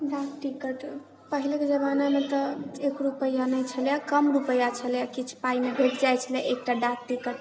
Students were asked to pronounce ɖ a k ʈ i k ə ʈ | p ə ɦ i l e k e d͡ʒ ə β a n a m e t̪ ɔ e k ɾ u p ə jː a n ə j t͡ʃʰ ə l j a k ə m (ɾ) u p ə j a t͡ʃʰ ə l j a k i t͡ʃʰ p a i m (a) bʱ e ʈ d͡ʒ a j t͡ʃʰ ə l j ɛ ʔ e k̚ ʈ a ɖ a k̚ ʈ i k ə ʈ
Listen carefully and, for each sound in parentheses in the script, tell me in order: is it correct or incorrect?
correct, incorrect: e

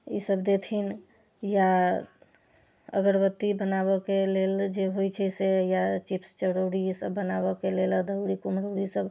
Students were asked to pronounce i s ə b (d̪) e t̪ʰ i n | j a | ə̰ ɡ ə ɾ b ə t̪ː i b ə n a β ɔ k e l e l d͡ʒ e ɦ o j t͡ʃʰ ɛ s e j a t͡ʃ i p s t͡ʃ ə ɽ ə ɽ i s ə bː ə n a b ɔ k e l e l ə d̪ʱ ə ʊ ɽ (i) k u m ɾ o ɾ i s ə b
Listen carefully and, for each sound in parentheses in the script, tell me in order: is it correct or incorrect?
correct, correct

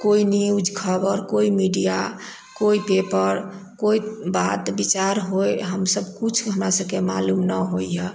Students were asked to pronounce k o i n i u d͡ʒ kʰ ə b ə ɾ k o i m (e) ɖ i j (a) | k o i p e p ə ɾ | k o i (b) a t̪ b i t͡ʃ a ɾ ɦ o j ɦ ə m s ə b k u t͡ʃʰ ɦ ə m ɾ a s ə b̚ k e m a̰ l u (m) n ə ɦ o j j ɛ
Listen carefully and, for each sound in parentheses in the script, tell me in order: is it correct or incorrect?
incorrect: i, correct, correct, correct

